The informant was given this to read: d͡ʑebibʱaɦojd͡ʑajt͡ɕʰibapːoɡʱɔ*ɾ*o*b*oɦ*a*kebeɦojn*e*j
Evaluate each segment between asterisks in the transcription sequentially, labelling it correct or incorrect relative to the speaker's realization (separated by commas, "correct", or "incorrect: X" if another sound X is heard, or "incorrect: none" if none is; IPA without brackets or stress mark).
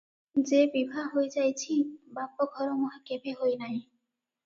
correct, incorrect: m, correct, incorrect: a